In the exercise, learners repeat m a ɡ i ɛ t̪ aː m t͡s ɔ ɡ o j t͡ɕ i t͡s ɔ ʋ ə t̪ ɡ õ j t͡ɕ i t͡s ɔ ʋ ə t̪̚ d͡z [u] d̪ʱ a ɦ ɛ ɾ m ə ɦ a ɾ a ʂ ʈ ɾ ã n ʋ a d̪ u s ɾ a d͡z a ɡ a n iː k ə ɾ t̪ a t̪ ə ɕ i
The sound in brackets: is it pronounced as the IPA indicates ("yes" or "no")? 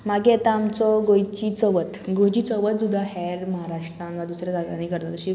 yes